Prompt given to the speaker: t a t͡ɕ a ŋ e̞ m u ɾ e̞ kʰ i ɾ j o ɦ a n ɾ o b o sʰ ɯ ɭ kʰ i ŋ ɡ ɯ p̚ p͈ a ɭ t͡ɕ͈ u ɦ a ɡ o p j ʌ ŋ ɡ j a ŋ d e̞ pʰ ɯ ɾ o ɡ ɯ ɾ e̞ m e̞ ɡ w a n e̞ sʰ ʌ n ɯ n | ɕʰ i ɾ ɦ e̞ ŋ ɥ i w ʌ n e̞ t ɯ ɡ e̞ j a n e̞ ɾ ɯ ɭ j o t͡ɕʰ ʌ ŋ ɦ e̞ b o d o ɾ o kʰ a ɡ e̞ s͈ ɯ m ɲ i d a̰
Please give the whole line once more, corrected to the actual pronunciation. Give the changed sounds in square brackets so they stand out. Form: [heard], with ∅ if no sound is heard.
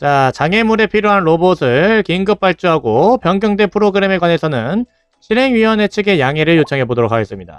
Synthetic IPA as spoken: [t͡ɕ] a t͡ɕ a ŋ e̞ m u ɾ e̞ [pʰ] i ɾ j o ɦ a n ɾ o b o sʰ ɯ ɭ [k] i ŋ ɡ ɯ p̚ p͈ a ɭ t͡ɕ͈ u ɦ a ɡ o p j ʌ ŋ ɡ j [ʌ] ŋ d e̞ pʰ ɯ ɾ o ɡ ɯ ɾ e̞ m e̞ ɡ w a n e̞ sʰ ʌ n ɯ n | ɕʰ i ɾ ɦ e̞ ŋ ɥ i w ʌ n e̞ [t͡ɕʰ] ɯ ɡ e̞ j a [ŋ] e̞ ɾ ɯ ɭ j o t͡ɕʰ ʌ ŋ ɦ e̞ b o d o ɾ o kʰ a ɡ e̞ s͈ ɯ m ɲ i d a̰

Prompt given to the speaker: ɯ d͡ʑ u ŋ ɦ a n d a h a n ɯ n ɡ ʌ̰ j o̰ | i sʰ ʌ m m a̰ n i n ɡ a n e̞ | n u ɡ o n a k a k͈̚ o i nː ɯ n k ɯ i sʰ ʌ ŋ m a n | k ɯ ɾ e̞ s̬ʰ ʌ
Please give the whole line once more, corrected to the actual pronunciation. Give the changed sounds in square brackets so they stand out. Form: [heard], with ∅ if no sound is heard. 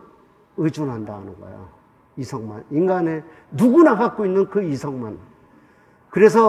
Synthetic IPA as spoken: ɯ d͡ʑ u [n] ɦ a n d a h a n ɯ n ɡ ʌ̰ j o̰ | i sʰ ʌ [ŋ] m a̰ n i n ɡ a n e̞ | n u ɡ [u] n a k a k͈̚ o i nː ɯ n k ɯ i sʰ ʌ ŋ m a n | k ɯ ɾ e̞ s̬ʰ ʌ

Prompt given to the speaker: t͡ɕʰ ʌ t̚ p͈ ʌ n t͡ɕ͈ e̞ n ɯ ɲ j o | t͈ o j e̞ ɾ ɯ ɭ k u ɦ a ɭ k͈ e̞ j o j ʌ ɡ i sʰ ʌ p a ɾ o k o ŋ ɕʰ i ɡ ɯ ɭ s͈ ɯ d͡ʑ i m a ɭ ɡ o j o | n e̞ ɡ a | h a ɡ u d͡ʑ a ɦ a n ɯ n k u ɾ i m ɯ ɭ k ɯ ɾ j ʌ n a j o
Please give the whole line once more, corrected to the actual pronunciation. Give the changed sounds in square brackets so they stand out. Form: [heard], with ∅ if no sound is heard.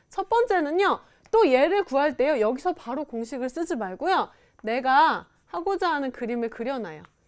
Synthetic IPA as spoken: t͡ɕʰ ʌ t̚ p͈ ʌ n t͡ɕ͈ e̞ n ɯ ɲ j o | t͈ o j e̞ ɾ ɯ ɭ k u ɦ a ɭ [t͈] e̞ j o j ʌ ɡ i sʰ ʌ p a ɾ o k o ŋ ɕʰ i ɡ ɯ ɭ s͈ ɯ d͡ʑ i m a ɭ ɡ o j o | n e̞ ɡ a | h a ɡ [o] d͡ʑ a ɦ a n ɯ n k [ɯ] ɾ i m ɯ ɭ k ɯ ɾ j ʌ n a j o

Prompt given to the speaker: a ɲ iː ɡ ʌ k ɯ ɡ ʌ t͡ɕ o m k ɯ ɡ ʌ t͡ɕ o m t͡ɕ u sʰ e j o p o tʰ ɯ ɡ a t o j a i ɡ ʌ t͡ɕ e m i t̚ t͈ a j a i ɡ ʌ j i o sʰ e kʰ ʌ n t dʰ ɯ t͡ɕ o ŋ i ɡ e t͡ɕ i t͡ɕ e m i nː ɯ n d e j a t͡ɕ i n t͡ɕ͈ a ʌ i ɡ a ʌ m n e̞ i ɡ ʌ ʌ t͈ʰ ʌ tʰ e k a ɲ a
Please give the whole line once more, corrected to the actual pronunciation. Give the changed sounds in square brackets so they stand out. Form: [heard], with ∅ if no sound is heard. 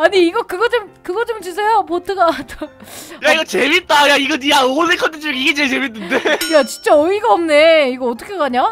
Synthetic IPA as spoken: a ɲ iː ɡ ʌ k ɯ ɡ ʌ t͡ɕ o m k ɯ ɡ ʌ t͡ɕ o m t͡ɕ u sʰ e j o p o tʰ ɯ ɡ a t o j a i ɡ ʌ t͡ɕ e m i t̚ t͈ a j a i ɡ ʌ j [a] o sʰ e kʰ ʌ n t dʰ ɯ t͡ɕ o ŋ i ɡ e t͡ɕ [e] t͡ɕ e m i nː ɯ n d e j a t͡ɕ i n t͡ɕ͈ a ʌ i ɡ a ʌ m n e̞ i ɡ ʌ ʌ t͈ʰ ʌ [kʰ] e k a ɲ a

